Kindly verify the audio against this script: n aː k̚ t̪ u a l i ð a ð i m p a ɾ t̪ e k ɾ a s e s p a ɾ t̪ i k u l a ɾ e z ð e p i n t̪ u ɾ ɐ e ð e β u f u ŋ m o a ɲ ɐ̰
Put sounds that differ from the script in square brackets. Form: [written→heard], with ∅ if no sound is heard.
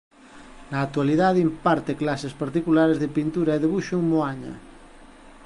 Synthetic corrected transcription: n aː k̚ t̪ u a l i ð a ð i m p a ɾ t̪ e k [ɾ→l] a s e s p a ɾ t̪ i k u l a ɾ e z ð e p i n t̪ u ɾ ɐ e ð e β u [f→ʃ] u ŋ m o a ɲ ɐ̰